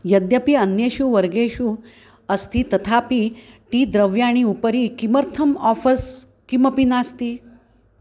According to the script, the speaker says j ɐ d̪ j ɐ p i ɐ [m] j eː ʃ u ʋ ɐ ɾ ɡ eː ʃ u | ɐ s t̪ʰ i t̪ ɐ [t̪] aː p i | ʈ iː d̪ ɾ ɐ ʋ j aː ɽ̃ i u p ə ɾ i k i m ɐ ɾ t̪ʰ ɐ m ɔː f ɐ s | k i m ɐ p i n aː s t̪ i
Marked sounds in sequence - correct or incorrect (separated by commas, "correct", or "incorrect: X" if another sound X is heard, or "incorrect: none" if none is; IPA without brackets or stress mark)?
incorrect: n, incorrect: t̪ʰ